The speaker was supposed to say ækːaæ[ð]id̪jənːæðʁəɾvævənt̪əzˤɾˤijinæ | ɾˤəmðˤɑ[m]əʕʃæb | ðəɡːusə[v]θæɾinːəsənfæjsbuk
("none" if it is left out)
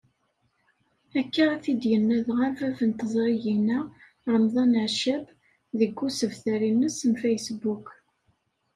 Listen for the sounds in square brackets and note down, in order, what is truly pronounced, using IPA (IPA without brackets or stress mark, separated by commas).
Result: θ, n, v